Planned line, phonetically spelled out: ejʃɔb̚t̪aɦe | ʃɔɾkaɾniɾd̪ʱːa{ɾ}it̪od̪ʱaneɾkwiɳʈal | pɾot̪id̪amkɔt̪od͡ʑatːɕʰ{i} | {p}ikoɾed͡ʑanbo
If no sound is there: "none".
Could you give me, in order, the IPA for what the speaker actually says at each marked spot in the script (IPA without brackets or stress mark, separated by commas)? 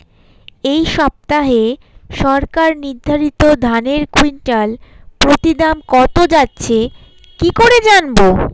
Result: ɾ, e, k